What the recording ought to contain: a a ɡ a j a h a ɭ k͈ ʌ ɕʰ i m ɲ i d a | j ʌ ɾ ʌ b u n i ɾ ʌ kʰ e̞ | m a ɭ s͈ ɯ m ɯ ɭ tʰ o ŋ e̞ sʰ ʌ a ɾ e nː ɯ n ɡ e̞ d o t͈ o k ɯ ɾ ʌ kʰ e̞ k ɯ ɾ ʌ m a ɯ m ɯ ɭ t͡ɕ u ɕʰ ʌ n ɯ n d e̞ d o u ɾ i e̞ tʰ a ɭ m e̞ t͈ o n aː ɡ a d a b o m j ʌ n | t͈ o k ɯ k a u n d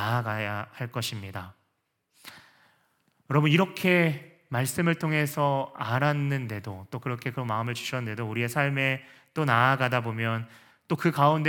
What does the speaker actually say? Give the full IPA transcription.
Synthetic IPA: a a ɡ a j a h a ɭ k͈ ʌ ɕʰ i m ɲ i d a | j ʌ ɾ ʌ b u n i ɾ ʌ kʰ e̞ | m a ɭ s͈ ɯ m ɯ ɭ tʰ o ŋ e̞ sʰ ʌ a ɾ a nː ɯ n d e̞ d o t͈ o k ɯ ɾ ʌ kʰ e̞ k ɯ ɾ ʌ m a ɯ m ɯ ɭ t͡ɕ u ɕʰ ʌ n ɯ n d e̞ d o u ɾ i e̞ sʰ a ɭ m e̞ t͈ o n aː ɡ a d a b o m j ʌ n | t͈ o k ɯ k a u n d